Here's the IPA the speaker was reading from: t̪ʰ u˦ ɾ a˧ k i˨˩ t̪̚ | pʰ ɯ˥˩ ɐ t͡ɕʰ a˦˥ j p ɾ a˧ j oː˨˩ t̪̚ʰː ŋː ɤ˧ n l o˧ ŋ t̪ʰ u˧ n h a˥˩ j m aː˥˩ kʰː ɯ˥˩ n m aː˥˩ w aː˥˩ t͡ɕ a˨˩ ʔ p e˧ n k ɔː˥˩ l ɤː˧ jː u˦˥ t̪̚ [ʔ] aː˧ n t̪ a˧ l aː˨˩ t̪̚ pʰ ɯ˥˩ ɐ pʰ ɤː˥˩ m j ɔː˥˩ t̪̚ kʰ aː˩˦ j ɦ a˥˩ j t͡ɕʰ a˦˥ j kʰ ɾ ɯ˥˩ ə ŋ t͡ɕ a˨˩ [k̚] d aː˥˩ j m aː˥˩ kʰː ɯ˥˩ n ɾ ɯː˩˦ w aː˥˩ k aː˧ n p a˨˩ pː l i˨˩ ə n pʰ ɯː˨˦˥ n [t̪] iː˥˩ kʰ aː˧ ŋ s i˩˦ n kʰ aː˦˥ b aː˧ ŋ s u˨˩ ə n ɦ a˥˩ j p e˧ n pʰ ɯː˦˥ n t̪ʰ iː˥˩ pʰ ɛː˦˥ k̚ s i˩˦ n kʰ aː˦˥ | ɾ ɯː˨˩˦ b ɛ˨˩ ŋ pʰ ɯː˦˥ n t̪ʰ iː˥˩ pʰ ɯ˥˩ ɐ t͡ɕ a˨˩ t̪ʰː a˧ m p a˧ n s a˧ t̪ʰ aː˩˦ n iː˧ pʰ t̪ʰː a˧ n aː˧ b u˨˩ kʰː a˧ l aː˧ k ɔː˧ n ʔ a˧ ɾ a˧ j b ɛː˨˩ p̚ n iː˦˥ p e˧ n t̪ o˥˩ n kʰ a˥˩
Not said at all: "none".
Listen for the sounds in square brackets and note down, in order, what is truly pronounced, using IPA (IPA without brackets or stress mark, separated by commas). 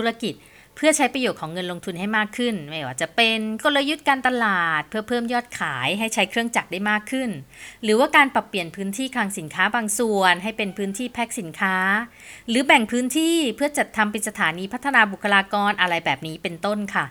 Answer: k, k̚, t̪ʰ